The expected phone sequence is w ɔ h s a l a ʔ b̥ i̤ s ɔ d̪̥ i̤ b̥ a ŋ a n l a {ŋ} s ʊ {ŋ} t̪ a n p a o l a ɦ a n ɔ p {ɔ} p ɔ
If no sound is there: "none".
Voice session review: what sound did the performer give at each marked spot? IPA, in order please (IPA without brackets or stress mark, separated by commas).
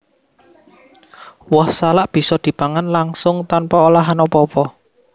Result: ŋ, ŋ, ɔ